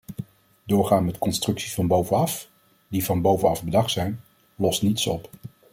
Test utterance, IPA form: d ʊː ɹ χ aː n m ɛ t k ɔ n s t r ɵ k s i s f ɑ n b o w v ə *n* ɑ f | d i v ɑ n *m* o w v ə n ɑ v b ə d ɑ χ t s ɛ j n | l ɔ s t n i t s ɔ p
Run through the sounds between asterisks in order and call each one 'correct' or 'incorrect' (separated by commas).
correct, incorrect